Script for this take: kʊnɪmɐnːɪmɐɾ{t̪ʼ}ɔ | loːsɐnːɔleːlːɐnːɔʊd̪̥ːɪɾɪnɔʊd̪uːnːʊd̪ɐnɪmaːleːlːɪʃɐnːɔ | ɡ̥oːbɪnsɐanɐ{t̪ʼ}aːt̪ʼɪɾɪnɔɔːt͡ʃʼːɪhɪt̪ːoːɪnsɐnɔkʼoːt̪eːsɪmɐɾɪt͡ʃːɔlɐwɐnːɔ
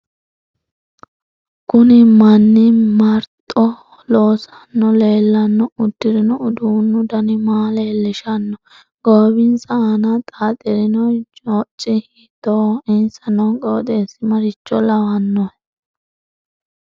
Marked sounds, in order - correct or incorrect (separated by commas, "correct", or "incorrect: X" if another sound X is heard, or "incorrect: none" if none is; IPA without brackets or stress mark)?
correct, correct